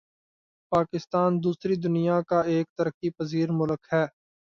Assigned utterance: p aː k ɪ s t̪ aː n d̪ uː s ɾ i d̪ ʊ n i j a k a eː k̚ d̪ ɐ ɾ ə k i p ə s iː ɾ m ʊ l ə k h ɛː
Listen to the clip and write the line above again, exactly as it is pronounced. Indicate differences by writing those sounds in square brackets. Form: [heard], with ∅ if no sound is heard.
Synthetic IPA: p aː k ɪ s t̪ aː n d̪ uː s ɾ i d̪ ʊ n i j a k a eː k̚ [t̪] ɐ ɾ ə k i p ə [z] iː ɾ m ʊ l ə k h ɛː